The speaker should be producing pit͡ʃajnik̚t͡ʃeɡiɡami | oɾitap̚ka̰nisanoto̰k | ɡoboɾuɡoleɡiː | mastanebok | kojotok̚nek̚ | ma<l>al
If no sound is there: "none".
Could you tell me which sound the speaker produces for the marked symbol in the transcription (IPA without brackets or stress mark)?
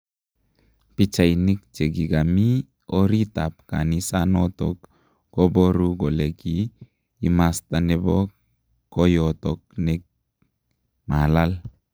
l